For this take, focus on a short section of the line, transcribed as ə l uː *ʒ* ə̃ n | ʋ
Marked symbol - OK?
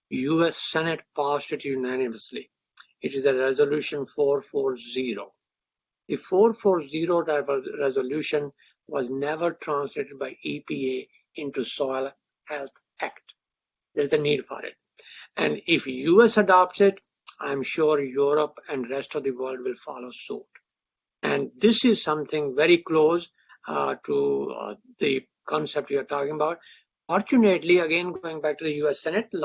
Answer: no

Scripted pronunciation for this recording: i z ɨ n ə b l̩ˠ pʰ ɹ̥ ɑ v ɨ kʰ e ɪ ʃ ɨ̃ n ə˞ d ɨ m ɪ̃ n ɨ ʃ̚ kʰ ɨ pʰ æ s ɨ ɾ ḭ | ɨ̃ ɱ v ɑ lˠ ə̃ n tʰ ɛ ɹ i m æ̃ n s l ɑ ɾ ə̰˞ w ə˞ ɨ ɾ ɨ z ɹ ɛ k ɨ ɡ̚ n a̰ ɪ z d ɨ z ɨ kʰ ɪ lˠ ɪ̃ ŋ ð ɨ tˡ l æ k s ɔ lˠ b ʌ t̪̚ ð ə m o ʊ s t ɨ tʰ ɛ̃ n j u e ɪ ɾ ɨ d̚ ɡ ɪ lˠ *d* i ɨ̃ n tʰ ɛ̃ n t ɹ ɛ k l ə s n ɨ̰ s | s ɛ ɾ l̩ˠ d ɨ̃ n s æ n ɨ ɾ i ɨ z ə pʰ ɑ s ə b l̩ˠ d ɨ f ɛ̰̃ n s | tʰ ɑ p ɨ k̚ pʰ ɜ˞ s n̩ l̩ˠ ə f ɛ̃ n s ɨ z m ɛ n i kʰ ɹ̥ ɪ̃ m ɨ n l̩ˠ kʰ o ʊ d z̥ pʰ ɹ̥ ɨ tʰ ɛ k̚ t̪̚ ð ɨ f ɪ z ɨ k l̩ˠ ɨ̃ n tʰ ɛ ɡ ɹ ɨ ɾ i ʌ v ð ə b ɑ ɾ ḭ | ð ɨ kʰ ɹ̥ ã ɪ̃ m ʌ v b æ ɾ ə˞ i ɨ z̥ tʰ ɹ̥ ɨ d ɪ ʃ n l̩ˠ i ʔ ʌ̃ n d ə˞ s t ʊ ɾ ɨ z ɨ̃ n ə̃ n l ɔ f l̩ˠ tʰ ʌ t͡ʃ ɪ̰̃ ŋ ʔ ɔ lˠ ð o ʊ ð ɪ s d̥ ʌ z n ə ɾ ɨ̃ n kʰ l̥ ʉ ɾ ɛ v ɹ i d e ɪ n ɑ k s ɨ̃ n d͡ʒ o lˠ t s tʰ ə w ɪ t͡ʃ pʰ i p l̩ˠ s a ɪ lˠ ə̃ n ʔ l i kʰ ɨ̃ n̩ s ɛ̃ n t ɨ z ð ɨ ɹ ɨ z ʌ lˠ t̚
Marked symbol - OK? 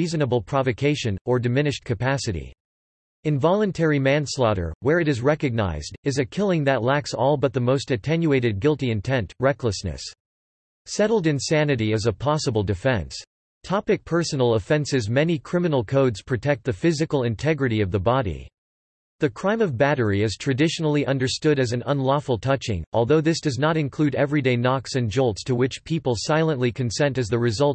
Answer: no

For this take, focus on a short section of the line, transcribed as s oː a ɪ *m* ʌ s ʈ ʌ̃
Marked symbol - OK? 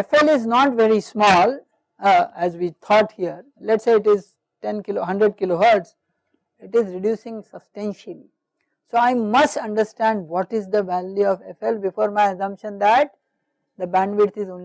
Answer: yes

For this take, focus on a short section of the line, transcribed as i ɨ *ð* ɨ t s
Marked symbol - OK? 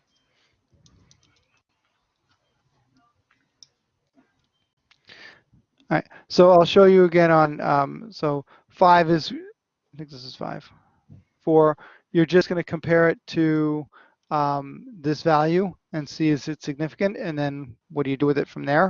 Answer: no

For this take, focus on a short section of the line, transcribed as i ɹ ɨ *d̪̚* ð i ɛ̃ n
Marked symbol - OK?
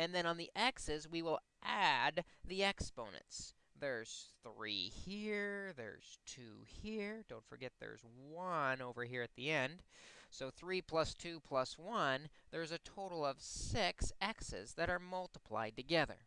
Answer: no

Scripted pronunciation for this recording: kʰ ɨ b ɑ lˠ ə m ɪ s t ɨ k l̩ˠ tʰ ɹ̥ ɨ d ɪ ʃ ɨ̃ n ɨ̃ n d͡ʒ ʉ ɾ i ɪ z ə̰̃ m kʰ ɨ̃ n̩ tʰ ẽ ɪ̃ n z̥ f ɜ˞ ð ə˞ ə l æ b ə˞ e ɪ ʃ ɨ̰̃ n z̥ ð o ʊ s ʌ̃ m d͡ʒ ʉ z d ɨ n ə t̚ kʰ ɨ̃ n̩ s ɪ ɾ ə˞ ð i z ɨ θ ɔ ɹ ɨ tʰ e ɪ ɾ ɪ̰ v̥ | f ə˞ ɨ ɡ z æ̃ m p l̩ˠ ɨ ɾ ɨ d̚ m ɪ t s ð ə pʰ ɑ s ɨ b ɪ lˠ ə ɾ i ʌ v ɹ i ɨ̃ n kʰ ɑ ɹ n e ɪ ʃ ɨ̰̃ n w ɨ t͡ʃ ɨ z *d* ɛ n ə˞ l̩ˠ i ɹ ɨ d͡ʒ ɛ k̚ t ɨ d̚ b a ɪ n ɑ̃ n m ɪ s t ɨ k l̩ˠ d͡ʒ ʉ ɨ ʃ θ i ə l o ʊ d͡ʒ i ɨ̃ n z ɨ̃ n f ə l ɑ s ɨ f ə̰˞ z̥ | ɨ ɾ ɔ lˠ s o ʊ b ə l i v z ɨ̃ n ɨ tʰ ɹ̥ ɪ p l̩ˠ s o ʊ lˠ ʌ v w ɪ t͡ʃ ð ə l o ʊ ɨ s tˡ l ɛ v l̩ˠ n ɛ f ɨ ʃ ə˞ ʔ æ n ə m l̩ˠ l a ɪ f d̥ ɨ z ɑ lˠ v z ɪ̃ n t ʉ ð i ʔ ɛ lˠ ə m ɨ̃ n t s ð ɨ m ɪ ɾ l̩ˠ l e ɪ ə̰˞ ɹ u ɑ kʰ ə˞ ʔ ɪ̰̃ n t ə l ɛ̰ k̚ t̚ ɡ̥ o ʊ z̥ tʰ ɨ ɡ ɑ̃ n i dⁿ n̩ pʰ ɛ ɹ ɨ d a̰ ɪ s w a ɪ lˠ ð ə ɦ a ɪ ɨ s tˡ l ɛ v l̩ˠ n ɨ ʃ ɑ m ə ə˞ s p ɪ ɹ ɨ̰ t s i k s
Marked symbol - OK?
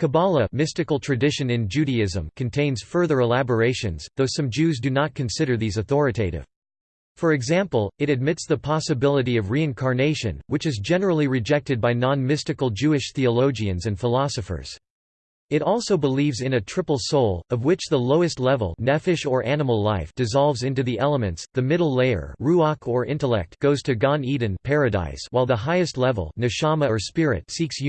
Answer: no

